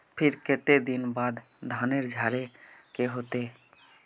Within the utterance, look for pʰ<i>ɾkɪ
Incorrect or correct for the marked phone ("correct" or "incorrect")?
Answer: incorrect